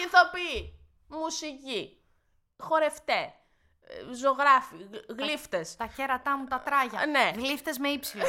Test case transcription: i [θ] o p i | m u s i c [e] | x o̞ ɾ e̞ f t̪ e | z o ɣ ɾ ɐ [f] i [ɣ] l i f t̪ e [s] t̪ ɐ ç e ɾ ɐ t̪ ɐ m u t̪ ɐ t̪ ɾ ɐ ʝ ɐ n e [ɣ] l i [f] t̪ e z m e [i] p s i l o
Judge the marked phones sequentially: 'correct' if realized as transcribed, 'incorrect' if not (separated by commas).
correct, incorrect, correct, correct, correct, correct, correct, correct